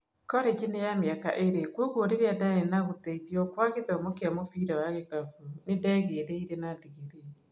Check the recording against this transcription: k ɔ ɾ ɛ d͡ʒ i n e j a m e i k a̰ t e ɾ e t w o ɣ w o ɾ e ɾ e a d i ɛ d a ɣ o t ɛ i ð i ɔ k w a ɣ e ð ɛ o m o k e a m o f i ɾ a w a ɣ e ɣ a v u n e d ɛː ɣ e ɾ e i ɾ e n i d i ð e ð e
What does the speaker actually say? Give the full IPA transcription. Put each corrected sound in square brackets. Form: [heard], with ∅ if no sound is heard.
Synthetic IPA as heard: k ɔ ɾ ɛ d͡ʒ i n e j a m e [a] k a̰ [ʔ] e ɾ e [k] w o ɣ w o ɾ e ɾ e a d [a] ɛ [n] a ɣ o t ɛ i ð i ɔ k w a ɣ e ð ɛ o m o k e a m o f i ɾ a w a ɣ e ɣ a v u n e d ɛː ɣ e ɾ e i ɾ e n [a] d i [ɣ] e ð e